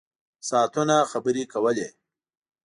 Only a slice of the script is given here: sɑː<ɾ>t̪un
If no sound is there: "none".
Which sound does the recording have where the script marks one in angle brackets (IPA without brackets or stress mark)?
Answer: none